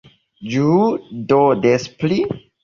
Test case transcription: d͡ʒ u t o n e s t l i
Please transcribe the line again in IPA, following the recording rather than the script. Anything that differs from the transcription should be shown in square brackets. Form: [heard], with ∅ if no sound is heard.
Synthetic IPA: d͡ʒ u [d] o [d] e s [p] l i